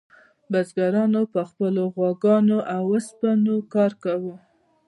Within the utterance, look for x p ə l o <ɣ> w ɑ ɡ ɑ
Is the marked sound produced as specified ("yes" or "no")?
yes